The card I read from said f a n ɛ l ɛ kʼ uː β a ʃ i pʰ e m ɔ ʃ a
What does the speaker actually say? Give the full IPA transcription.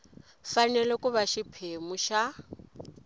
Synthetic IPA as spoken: f a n ɛ l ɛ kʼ u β a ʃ i pʰ e m u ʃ a